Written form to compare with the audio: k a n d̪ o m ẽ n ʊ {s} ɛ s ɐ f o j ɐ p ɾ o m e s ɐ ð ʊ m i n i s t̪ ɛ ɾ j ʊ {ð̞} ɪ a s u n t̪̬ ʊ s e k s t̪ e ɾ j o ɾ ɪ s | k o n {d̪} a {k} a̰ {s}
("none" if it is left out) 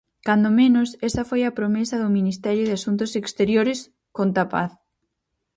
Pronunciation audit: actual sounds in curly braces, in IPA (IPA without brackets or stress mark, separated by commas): s, ð̞, t̪, p, θ